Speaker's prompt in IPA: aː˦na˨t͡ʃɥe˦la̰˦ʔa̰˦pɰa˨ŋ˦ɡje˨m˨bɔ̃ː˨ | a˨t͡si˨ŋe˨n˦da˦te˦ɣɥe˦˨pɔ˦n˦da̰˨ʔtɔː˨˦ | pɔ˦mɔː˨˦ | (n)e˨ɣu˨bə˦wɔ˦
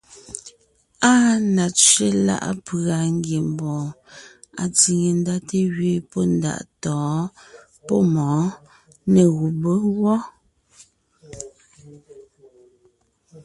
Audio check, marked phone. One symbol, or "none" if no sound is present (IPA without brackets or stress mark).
n